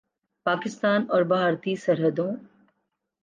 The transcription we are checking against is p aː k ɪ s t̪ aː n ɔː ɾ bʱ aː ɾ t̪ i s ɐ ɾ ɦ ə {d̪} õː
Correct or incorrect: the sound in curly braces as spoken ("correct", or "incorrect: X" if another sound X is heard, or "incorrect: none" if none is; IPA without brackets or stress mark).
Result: correct